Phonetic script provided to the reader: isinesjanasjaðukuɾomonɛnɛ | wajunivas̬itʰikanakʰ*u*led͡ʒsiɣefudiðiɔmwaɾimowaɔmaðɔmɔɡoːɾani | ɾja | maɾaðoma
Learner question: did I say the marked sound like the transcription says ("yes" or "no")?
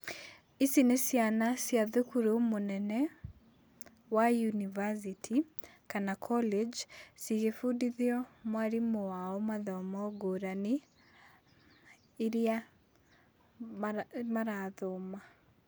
no